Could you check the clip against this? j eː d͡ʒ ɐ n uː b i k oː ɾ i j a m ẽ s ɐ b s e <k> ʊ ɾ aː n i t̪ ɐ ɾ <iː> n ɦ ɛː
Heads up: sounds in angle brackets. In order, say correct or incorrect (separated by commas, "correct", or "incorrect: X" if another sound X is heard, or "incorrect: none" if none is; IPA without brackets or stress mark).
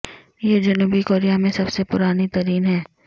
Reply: incorrect: p, correct